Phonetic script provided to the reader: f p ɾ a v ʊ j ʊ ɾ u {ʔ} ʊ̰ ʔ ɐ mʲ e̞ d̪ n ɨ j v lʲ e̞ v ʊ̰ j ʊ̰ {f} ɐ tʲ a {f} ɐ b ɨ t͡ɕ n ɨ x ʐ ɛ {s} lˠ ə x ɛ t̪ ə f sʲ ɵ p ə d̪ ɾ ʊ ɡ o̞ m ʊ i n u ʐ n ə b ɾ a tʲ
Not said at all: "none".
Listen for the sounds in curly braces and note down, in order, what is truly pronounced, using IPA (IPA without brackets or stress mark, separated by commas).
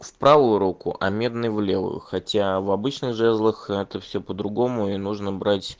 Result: k, x, v, z